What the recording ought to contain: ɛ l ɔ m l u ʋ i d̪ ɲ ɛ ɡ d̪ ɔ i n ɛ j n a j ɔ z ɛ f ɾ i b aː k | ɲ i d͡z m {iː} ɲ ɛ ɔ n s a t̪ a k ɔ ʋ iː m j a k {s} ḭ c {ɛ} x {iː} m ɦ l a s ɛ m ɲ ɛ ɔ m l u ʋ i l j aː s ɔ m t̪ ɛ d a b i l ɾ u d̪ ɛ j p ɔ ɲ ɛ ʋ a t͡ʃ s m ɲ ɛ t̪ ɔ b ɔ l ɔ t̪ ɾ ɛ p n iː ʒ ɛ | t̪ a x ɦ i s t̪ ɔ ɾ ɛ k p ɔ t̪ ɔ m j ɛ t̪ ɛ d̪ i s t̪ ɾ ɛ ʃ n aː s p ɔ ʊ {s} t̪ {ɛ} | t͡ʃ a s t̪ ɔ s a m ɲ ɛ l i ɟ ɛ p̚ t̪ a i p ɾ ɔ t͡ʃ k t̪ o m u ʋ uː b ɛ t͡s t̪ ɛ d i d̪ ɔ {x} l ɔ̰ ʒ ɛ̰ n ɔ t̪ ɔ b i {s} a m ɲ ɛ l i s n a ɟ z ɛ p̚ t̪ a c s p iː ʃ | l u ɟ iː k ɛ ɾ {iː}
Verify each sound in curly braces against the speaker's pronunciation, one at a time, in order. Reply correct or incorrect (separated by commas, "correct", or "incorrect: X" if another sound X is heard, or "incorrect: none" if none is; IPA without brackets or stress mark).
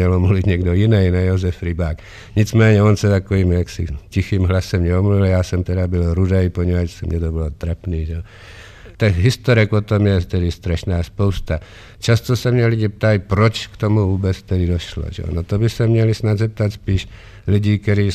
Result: incorrect: ɛː, correct, incorrect: i, correct, correct, incorrect: a, incorrect: ʃ, correct, correct